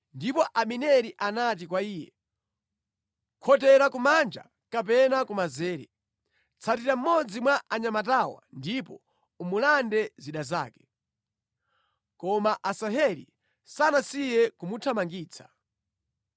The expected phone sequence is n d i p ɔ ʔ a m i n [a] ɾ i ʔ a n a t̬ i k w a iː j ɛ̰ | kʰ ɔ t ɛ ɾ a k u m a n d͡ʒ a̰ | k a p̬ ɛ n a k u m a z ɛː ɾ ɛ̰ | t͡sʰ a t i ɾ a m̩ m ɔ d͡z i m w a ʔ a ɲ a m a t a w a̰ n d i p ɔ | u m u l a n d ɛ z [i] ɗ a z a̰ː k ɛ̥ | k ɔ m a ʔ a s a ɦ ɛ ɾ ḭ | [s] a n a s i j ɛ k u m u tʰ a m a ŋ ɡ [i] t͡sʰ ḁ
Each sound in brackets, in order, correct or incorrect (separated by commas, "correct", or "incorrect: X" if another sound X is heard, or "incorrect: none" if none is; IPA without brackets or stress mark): incorrect: ɛ, correct, correct, incorrect: iː